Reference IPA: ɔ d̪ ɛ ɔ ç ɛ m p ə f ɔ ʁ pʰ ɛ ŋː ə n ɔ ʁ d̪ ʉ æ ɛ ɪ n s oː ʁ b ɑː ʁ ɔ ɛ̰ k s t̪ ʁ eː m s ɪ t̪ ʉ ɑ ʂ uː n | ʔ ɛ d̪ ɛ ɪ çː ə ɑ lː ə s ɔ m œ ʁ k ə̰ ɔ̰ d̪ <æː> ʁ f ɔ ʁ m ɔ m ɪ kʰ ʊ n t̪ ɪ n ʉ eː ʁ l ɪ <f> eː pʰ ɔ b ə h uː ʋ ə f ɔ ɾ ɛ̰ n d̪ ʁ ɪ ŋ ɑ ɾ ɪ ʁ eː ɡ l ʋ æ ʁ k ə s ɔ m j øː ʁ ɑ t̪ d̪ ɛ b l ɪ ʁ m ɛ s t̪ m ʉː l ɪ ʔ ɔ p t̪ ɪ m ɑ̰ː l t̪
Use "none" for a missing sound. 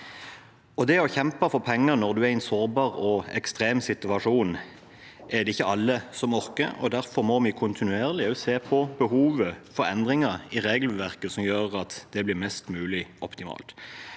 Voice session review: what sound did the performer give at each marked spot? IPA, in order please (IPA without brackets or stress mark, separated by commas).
æ, s